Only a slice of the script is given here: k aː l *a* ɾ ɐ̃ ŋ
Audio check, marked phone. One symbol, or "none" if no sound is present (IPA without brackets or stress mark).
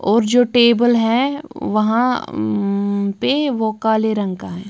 e